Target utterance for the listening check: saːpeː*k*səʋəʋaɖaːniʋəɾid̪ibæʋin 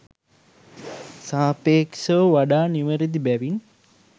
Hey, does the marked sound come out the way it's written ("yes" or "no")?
yes